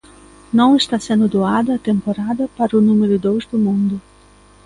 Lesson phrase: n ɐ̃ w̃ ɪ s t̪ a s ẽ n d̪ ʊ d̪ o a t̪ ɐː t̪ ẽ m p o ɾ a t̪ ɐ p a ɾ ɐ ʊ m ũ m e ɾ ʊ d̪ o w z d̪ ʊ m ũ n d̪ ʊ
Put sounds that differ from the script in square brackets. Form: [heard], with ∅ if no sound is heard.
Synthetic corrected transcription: n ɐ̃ w̃ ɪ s t̪ a s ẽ n d̪ ʊ d̪ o a [d̪] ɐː t̪ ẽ m p o ɾ a [d̪] ɐ p a ɾ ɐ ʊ [n] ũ m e ɾ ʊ d̪ o w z d̪ ʊ m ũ n d̪ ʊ